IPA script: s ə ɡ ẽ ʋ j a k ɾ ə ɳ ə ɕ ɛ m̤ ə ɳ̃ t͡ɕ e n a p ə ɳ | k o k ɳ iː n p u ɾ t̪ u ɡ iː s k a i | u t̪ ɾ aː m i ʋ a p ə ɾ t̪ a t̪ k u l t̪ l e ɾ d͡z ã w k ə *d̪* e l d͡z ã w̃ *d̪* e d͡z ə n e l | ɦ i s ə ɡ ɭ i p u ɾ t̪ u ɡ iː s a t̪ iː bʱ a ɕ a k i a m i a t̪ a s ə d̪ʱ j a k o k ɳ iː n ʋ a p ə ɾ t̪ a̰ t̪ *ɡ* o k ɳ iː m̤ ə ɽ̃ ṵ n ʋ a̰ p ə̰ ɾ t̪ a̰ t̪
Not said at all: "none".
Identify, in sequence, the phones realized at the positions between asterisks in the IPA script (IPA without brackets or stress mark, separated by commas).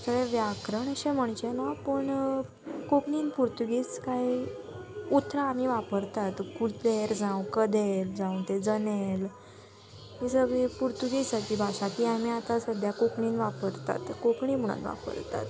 d̪, t̪, k